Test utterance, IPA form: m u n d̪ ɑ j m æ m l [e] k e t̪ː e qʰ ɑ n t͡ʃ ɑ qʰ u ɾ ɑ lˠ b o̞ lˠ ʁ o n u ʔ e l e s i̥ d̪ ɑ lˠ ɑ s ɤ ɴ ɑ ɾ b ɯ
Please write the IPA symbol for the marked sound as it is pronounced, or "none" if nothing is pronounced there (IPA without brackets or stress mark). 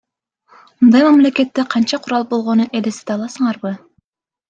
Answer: e